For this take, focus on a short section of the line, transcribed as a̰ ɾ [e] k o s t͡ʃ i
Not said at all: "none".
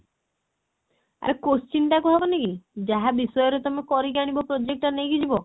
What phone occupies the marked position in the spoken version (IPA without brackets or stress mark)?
e